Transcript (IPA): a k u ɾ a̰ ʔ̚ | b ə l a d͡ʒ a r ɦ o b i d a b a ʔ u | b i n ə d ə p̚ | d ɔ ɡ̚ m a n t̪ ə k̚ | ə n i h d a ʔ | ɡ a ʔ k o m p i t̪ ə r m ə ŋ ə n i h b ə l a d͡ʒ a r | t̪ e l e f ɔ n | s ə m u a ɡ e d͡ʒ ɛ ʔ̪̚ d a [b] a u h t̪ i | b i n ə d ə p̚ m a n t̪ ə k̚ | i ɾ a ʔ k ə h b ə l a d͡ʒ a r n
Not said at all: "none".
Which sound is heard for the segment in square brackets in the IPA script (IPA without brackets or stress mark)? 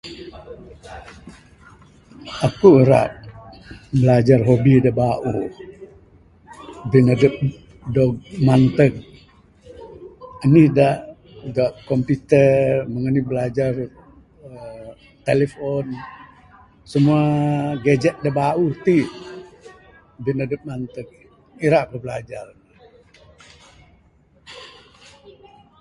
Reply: b